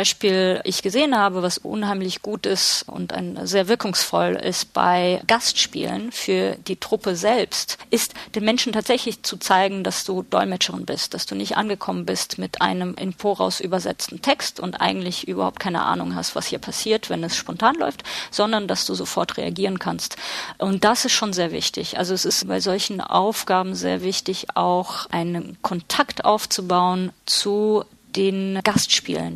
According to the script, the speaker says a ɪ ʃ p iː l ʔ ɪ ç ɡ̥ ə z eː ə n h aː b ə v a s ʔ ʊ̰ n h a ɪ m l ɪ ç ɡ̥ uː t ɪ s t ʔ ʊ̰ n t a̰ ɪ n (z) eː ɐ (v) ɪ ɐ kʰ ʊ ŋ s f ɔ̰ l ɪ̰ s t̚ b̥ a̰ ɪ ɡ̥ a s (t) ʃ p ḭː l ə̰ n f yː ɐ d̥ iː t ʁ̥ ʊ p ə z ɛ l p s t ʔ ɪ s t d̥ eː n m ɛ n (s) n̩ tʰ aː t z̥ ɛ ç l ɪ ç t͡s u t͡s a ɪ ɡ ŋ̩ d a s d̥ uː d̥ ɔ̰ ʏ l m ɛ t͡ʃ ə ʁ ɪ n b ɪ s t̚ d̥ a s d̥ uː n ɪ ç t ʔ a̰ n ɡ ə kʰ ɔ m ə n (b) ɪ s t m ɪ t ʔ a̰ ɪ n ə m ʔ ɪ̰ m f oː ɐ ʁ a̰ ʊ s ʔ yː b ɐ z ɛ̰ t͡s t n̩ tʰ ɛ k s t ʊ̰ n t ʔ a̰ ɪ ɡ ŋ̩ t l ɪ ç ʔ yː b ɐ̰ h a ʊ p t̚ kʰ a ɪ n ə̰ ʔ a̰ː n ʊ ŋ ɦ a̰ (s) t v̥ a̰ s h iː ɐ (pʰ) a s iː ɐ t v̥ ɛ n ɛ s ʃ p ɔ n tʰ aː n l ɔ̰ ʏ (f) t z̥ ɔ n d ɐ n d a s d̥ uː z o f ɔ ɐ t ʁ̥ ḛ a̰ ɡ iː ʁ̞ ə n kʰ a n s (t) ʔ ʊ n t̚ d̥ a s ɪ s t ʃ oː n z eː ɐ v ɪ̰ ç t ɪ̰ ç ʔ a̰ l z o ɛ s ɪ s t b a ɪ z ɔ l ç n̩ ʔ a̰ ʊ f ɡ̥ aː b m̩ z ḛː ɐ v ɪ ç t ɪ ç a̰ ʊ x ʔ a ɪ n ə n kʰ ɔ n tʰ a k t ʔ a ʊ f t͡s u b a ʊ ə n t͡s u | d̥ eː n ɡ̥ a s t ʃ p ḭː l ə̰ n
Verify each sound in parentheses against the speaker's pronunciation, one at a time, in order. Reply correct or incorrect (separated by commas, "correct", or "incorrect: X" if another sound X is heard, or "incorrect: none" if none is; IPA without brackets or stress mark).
correct, correct, correct, incorrect: ʃ, correct, correct, correct, correct, correct